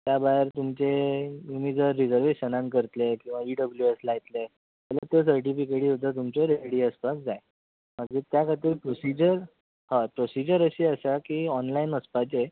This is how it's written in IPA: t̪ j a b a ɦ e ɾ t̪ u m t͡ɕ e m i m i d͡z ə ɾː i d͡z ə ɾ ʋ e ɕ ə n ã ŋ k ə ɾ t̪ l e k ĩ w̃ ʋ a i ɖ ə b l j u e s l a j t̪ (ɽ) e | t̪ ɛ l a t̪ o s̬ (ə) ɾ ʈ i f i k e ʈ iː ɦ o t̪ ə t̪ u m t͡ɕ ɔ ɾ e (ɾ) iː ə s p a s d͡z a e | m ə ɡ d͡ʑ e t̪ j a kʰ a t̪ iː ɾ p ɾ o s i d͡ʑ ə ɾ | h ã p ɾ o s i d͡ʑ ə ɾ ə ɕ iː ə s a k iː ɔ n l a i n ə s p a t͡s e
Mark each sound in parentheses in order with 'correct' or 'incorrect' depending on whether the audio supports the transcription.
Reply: incorrect, correct, incorrect

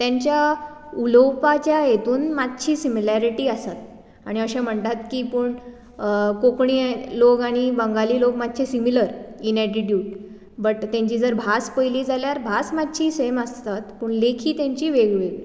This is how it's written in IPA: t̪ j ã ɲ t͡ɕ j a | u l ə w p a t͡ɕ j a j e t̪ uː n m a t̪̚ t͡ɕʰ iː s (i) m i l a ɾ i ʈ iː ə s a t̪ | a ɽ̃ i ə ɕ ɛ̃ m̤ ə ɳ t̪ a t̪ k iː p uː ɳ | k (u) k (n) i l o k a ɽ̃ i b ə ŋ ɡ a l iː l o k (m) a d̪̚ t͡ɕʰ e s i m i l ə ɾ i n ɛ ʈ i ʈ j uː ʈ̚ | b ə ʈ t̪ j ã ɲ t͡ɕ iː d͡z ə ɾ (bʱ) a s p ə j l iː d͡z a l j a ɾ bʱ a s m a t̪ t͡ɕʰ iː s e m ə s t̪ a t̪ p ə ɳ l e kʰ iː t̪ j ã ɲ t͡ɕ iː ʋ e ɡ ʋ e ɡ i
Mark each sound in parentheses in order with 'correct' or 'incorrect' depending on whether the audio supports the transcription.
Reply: correct, incorrect, incorrect, correct, correct

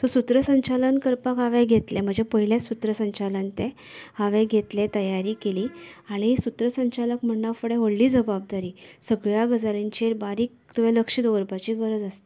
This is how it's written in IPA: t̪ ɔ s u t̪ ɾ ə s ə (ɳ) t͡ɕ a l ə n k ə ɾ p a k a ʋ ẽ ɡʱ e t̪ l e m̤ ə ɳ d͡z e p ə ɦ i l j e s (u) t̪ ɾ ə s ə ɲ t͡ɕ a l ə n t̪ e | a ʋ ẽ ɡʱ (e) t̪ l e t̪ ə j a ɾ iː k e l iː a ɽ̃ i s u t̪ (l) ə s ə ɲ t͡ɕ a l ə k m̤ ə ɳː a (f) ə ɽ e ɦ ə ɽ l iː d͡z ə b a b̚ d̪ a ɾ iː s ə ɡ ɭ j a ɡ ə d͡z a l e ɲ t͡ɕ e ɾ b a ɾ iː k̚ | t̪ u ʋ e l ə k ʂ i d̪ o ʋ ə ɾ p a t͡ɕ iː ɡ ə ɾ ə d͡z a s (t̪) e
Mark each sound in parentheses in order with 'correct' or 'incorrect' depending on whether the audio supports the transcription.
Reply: incorrect, correct, correct, incorrect, correct, correct

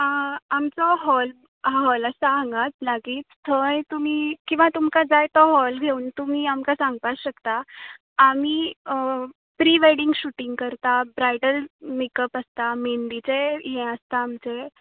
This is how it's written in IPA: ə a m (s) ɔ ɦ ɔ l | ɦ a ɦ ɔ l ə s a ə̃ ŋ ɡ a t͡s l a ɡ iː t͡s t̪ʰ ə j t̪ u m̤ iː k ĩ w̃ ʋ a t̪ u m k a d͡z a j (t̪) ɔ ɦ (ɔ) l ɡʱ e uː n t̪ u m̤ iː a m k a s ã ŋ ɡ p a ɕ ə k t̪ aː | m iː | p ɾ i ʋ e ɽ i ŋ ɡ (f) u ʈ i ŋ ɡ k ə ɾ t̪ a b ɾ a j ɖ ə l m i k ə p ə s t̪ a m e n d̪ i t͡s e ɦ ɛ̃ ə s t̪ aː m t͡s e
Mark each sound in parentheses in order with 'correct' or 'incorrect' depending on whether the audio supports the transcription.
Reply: incorrect, correct, correct, incorrect

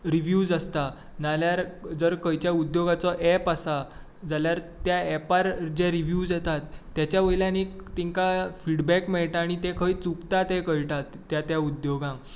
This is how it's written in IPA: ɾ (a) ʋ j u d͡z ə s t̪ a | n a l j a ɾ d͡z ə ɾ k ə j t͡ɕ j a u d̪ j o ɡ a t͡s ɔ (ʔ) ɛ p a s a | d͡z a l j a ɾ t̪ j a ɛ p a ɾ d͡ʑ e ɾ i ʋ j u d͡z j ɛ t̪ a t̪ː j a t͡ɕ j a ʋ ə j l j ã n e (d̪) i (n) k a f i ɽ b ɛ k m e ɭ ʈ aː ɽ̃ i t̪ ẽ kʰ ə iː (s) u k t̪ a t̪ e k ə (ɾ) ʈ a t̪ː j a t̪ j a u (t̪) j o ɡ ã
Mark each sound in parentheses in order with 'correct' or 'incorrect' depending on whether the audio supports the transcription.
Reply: incorrect, correct, incorrect, incorrect, incorrect, incorrect, incorrect

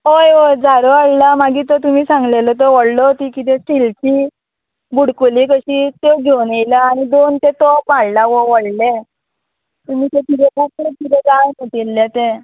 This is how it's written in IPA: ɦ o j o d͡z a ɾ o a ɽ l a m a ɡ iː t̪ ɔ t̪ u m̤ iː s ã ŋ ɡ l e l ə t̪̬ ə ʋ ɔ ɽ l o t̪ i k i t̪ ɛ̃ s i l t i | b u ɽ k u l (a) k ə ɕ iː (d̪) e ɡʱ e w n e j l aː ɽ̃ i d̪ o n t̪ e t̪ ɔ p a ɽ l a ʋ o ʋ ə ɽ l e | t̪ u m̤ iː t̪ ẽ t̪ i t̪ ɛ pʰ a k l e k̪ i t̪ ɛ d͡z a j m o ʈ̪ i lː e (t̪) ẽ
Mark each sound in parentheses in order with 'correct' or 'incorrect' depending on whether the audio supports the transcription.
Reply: incorrect, incorrect, correct

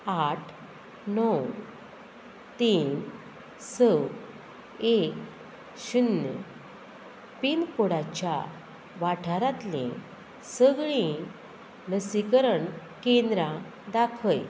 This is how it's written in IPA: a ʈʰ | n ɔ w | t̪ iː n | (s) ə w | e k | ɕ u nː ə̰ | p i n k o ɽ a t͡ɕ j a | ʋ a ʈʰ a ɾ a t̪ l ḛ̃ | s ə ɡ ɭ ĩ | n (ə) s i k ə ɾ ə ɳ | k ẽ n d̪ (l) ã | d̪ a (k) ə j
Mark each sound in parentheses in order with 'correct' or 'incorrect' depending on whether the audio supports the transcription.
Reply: correct, correct, incorrect, incorrect

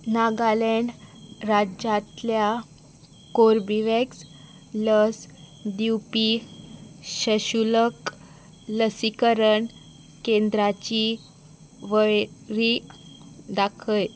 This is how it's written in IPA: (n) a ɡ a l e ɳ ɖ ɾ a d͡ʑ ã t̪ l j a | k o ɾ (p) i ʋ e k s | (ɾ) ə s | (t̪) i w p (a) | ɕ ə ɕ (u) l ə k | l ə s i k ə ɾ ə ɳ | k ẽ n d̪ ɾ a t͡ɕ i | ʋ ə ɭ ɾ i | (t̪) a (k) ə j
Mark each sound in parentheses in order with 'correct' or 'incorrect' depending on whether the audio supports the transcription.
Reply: correct, incorrect, incorrect, incorrect, incorrect, correct, incorrect, incorrect

